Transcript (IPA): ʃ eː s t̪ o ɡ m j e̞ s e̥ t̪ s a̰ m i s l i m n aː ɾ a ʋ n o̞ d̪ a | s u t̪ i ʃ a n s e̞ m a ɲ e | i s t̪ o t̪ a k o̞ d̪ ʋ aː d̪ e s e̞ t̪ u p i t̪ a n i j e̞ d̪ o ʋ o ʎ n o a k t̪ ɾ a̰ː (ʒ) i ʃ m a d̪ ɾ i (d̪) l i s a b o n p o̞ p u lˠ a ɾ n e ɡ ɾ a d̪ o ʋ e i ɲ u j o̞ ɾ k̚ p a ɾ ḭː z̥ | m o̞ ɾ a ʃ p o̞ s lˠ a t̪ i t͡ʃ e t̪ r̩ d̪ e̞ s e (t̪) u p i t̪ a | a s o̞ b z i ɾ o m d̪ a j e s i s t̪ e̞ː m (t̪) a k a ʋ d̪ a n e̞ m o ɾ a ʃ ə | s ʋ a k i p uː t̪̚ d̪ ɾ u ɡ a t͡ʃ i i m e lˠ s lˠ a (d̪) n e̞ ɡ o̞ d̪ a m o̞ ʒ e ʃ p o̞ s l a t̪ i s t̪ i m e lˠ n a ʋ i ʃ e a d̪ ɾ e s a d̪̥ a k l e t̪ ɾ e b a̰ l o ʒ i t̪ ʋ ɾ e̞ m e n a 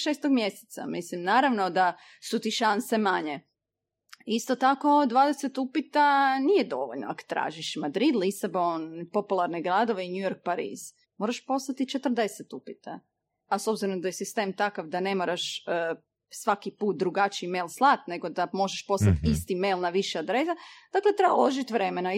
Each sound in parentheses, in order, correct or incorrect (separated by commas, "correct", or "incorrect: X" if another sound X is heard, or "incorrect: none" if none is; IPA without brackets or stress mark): correct, correct, correct, correct, incorrect: t̪